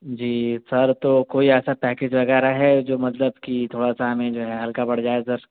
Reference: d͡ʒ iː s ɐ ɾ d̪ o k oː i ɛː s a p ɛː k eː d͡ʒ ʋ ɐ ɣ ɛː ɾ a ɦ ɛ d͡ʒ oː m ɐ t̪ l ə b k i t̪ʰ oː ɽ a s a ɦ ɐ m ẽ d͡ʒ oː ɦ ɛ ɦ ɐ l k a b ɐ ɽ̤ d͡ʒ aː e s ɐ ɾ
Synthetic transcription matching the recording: d͡ʒ iː s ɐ ɾ t̪ o k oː i ɛː s a p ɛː k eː d͡ʒ ʋ ɐ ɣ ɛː ɾ a ɦ ɛ d͡ʒ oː m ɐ t̪ l ə b k i t̪ʰ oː ɽ a s a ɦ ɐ m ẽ d͡ʒ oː ɦ ɛ ɦ ɐ l k a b ɐ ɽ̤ d͡ʒ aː e s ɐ ɾ